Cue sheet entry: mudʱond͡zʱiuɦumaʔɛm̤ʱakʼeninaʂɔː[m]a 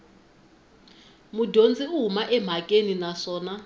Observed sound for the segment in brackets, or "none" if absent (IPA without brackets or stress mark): n